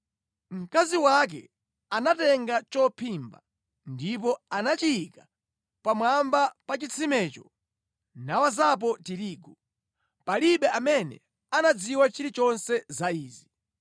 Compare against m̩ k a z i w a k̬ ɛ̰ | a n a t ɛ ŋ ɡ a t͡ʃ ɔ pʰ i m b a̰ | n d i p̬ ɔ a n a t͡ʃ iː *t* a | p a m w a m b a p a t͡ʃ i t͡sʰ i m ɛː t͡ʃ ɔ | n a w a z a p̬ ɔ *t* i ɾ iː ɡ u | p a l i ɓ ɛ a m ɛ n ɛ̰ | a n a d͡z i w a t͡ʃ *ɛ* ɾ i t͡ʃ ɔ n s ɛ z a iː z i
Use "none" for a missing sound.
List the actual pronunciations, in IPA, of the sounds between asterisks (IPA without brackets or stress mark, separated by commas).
k, t, i